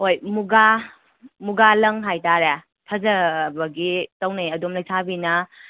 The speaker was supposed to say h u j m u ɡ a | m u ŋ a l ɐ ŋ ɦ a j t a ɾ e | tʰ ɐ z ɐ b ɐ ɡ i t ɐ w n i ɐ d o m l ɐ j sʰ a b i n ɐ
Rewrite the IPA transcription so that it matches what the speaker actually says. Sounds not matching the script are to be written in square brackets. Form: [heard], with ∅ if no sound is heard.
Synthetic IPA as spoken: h [o] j m u ɡ a | m u [ɡ] a l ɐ ŋ ɦ a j t a ɾ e | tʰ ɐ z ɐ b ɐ ɡ i t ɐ w n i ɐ d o m l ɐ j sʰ a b i n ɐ

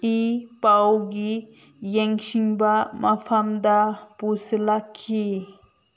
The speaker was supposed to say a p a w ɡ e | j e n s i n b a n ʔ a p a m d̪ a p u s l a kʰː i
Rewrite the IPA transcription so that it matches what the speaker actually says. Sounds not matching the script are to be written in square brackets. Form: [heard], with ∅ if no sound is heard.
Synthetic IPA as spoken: [i] p a w ɡ [i] | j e [ŋ] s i [ŋ] b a [m] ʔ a [pʰ] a m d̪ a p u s l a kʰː i

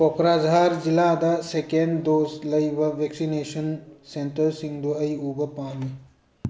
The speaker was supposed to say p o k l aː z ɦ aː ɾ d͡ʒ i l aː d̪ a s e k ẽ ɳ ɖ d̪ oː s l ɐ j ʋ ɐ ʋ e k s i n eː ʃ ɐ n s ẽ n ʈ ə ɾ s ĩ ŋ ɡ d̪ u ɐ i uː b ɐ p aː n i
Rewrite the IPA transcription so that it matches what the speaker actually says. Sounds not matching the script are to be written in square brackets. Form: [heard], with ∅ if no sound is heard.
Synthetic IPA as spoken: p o k [ɾ] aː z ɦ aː ɾ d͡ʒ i l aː d̪ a s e k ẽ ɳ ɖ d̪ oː s l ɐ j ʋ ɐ ʋ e k s i n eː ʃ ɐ n s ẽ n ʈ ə ɾ s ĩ ŋ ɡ d̪ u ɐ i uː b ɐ p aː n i

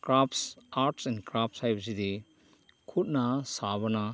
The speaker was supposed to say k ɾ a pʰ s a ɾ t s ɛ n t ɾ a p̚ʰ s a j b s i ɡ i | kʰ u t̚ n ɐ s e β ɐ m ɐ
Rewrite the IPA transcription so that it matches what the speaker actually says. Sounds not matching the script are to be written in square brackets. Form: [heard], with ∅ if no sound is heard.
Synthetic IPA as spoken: k ɾ a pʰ s a ɾ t s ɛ n [k] ɾ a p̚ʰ s a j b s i [d] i | kʰ u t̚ n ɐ s [a] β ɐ [n] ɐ

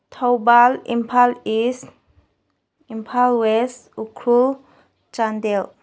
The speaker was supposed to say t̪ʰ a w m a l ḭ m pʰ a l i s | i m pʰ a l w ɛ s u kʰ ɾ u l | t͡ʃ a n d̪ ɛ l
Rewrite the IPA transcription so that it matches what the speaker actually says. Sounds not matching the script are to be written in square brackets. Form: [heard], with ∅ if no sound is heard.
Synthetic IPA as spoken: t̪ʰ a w [b] a l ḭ m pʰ a l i s | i m pʰ a l w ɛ s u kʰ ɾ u l | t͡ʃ a n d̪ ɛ l

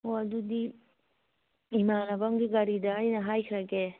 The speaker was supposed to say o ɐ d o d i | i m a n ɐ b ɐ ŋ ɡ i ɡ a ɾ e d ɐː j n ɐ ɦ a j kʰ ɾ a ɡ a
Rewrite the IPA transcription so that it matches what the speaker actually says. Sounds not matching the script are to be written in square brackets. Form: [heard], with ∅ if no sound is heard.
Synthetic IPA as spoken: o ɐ d [u] d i | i m a n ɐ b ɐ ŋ ɡ i ɡ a ɾ [i] d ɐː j n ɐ ɦ a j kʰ ɾ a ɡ [e]

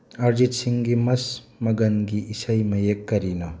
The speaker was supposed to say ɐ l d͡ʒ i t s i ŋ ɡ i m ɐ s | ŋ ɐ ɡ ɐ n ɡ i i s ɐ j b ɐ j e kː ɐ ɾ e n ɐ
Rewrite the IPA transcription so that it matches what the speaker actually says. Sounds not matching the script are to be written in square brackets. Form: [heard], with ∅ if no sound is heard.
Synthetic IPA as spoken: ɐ [ɾ] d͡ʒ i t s i ŋ ɡ i m ɐ s | [m] ɐ ɡ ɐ n ɡ i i s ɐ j [m] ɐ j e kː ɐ ɾ [i] n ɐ

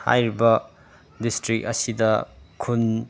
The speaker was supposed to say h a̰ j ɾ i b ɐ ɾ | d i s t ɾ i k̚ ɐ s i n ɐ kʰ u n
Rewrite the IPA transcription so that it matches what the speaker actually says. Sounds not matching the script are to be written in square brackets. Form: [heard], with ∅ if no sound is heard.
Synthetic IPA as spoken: h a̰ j ɾ i b ɐ [∅] | d i s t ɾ i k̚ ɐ s i [d] ɐ kʰ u n

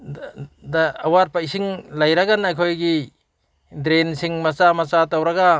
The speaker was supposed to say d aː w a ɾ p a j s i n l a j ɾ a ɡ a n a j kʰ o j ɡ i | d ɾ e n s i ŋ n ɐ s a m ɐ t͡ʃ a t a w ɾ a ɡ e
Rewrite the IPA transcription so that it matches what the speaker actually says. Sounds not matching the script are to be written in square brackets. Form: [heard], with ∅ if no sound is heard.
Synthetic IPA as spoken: d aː w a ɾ p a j s i [ŋ] l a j ɾ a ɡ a n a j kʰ o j ɡ i | d ɾ e n s i ŋ [m] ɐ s a m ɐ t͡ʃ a t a w ɾ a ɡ [a]

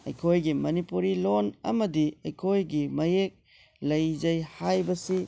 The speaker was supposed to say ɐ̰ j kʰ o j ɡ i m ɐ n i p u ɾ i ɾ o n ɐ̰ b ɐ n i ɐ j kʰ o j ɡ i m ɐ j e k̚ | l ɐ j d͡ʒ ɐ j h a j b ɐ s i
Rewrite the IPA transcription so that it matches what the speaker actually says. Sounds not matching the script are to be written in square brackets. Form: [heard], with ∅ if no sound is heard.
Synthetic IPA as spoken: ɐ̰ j kʰ o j ɡ i m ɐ n i p u ɾ i [l] o n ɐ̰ [m] ɐ [d] i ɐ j kʰ o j ɡ i m ɐ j e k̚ | l ɐ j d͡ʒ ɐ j h a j b ɐ s i

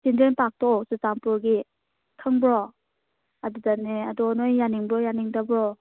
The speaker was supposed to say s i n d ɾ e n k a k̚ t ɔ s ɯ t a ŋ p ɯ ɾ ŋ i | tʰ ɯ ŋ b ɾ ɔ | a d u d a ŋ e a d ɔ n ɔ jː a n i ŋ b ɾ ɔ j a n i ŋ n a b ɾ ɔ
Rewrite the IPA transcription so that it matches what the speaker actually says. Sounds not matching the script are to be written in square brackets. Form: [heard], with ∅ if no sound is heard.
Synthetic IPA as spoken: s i n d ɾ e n [p] a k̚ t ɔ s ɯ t a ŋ p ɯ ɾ [ɡ] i | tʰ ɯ ŋ b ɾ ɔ | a d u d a [n] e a d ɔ n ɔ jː a n i ŋ b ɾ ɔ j a n i ŋ [d] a b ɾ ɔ

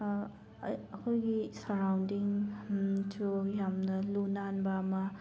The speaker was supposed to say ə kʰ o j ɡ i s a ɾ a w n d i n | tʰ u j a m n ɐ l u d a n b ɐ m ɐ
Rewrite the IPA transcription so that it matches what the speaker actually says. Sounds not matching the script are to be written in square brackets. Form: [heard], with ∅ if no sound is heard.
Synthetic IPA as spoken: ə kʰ o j ɡ i s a ɾ a w n d i [ŋ] | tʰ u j a m n ɐ l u [n] a n b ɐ m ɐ

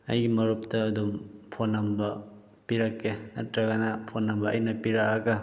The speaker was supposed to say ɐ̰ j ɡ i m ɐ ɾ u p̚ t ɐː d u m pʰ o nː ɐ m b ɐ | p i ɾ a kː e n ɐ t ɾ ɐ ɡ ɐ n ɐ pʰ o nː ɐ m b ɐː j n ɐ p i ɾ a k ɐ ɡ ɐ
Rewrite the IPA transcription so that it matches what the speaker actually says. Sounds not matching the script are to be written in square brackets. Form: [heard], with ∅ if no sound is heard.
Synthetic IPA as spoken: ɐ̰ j ɡ i m ɐ ɾ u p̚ t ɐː d u m pʰ o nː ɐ m b ɐ | p i ɾ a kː e n ɐ t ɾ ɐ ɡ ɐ n ɐ pʰ o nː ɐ m b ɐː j n ɐ p i ɾ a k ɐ ɡ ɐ

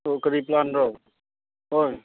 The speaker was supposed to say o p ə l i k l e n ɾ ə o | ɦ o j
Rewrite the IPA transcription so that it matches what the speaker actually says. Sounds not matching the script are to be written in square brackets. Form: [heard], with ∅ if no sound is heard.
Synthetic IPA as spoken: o [k] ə [ɾ] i [p] l [a] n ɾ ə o | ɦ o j

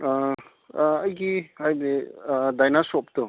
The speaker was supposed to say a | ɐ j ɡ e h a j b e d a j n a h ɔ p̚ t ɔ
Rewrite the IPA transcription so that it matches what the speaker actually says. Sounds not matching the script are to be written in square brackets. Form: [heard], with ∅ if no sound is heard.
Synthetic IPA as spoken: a | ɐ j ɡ [i] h a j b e d a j n a [s] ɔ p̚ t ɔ

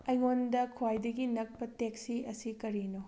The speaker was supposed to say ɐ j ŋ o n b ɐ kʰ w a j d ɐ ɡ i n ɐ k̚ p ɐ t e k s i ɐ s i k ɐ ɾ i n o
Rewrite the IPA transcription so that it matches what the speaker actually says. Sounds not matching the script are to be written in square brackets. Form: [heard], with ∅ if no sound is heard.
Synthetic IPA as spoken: ɐ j ŋ o n [d] ɐ kʰ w a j d ɐ ɡ i n ɐ k̚ p ɐ t e k s i ɐ s i k ɐ ɾ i n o

